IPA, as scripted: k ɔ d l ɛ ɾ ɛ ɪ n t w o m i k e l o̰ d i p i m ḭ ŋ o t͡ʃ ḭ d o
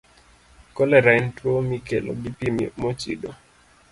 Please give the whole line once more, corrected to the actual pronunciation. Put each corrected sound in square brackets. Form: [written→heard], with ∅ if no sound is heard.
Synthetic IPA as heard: k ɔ [d→∅] l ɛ ɾ [ɛ→a] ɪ n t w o m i k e l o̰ [d→ɡ] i p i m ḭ [ŋ→m] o t͡ʃ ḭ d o